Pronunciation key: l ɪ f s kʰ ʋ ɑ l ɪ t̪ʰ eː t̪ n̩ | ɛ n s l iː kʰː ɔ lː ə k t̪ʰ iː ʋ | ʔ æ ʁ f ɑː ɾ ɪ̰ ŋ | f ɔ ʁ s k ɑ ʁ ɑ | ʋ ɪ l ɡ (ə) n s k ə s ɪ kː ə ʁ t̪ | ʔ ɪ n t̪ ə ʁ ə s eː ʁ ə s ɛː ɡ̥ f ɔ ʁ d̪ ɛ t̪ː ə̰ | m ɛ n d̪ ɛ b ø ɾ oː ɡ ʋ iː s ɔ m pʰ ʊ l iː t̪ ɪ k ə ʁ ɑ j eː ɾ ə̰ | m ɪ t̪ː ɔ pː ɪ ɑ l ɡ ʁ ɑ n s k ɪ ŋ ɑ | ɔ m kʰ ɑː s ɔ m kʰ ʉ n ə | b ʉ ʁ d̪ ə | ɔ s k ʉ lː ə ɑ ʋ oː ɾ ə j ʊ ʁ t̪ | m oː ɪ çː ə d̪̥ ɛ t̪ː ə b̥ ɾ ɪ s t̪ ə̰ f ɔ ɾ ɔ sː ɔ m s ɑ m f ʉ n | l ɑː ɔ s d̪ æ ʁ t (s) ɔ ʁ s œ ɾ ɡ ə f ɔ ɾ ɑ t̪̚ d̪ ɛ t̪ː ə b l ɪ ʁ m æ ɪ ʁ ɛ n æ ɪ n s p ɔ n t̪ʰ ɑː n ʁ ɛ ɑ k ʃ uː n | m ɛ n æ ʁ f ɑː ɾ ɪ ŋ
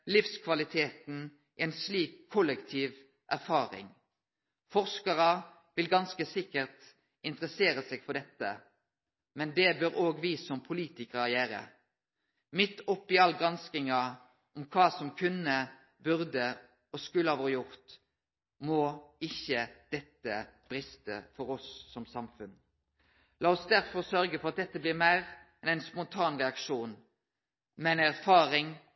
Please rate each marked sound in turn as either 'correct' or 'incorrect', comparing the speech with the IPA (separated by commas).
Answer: incorrect, incorrect